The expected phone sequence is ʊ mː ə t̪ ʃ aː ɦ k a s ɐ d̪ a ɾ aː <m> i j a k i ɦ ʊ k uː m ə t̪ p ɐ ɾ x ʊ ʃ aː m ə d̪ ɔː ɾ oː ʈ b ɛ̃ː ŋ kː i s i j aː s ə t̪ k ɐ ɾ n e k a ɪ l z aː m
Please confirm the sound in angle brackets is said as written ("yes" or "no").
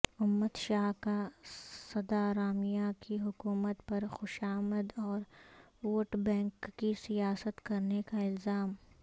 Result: yes